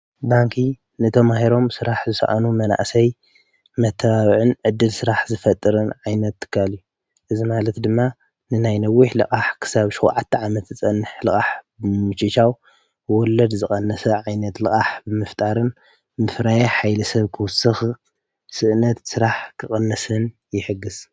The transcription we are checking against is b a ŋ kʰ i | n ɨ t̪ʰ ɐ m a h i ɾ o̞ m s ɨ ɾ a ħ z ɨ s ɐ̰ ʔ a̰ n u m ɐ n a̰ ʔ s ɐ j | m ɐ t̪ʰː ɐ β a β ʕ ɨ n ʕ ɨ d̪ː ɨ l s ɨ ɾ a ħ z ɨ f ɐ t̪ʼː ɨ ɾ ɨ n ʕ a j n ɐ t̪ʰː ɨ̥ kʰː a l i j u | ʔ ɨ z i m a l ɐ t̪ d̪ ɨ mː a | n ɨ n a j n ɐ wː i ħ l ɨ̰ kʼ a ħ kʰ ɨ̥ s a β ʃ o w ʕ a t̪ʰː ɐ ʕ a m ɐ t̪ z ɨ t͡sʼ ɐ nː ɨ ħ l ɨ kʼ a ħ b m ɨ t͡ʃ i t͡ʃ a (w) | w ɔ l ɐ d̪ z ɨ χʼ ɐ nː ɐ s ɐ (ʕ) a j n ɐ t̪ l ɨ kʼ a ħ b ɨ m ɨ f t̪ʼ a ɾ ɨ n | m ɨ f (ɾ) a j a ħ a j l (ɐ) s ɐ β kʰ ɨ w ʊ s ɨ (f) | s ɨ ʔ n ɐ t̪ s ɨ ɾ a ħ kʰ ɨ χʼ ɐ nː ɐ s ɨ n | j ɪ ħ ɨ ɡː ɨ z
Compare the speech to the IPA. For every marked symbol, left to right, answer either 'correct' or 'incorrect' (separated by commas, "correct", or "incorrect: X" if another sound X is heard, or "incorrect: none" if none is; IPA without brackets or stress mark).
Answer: correct, correct, correct, correct, incorrect: x